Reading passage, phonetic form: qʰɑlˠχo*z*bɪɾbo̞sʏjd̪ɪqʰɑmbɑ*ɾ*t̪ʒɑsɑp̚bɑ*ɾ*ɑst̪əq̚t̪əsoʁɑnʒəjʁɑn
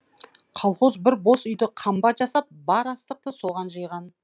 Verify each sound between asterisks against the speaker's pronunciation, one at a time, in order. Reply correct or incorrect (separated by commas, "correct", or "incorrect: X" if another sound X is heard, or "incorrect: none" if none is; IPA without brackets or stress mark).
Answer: correct, incorrect: none, correct